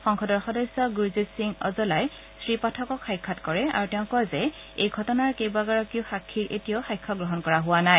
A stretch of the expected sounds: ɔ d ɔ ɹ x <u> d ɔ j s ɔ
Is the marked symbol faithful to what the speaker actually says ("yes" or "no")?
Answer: no